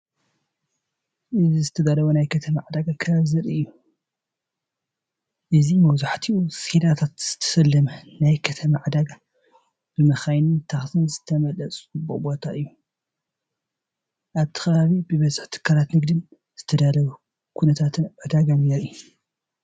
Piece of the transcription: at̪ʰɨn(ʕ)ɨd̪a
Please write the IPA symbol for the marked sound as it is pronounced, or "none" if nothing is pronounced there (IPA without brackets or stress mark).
ʕ